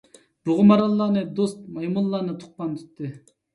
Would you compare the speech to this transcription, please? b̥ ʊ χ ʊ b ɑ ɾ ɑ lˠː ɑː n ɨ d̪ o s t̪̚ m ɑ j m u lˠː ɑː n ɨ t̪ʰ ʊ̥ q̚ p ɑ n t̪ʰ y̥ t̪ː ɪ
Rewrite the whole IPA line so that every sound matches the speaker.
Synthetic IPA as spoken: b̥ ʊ ʁ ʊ m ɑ ɾ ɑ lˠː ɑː n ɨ d̪ o s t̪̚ m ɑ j m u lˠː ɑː n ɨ t̪ʰ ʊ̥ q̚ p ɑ n t̪ʰ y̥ t̪ː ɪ